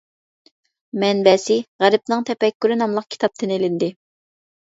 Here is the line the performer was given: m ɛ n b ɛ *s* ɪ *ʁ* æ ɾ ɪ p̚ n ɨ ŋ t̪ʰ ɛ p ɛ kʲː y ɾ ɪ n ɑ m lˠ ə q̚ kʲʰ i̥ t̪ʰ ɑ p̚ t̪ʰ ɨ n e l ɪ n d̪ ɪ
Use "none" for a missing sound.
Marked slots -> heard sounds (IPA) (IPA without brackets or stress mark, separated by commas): s, ʁ